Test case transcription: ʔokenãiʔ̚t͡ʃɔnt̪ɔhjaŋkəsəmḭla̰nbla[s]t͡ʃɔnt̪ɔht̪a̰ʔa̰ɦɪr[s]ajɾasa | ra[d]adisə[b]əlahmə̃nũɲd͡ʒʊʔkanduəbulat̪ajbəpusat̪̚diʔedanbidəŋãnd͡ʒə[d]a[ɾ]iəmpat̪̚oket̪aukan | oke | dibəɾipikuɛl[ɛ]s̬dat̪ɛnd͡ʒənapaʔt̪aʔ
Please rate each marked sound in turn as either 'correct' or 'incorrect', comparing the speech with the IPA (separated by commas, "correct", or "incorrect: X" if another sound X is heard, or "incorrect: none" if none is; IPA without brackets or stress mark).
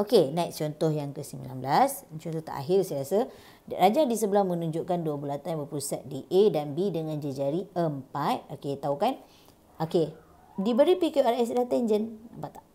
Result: correct, correct, incorrect: d͡ʒ, correct, incorrect: d͡ʒ, correct, correct